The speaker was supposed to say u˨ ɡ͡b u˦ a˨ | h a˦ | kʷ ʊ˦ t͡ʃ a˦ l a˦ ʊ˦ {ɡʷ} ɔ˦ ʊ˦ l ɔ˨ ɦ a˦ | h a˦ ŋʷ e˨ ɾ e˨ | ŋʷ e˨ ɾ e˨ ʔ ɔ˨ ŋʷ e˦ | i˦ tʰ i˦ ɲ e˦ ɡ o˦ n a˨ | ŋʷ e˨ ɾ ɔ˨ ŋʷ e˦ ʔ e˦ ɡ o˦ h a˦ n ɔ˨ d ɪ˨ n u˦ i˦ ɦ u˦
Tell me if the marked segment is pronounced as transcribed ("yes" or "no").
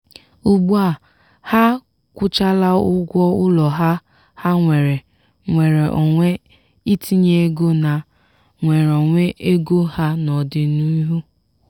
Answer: yes